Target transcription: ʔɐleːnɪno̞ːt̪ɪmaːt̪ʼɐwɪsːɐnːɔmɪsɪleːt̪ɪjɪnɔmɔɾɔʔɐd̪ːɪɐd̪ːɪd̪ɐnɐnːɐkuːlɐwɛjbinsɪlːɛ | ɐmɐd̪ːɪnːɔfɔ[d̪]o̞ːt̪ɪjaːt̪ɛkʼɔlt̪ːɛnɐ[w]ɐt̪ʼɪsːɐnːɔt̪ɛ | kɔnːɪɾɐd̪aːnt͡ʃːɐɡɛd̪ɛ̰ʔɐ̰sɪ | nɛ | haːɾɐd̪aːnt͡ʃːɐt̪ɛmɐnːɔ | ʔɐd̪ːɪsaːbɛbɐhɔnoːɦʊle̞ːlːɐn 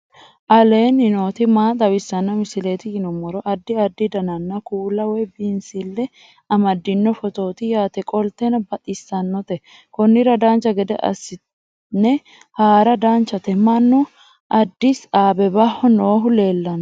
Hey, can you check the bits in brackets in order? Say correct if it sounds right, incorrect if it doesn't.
incorrect: t̪, incorrect: b

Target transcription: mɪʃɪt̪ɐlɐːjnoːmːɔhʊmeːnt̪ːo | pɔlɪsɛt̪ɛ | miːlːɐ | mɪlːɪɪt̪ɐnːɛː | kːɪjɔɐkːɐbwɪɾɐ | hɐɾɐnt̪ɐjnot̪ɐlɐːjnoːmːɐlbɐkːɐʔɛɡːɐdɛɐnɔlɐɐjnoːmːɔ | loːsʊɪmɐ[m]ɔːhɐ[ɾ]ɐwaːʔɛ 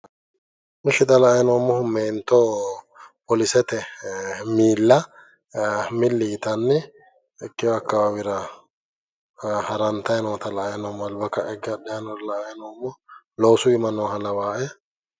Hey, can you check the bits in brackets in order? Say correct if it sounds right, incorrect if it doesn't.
incorrect: n, incorrect: l

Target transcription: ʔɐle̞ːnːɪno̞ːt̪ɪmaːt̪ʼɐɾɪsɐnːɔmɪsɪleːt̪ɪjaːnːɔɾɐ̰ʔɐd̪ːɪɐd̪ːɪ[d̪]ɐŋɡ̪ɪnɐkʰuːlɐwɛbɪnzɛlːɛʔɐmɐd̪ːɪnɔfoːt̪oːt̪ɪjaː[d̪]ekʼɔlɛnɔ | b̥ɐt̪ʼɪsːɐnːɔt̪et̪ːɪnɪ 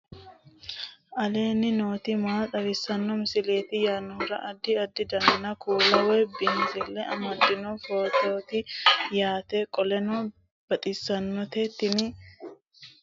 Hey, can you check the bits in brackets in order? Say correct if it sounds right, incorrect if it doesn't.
correct, incorrect: t̪

